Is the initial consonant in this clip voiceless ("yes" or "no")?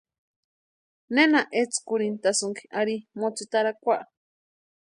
no